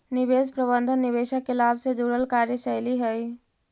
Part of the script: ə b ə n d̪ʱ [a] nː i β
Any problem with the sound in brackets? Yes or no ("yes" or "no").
yes